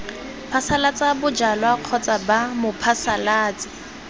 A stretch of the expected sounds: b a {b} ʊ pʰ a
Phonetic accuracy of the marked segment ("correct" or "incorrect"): incorrect